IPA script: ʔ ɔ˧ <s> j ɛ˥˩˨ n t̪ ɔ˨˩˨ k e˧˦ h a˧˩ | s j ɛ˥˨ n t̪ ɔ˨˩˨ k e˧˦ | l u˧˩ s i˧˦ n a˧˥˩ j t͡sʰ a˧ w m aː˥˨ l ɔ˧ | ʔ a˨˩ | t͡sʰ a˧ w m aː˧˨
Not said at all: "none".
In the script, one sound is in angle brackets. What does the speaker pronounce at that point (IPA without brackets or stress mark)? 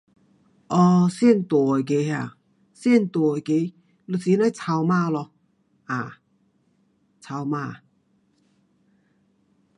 s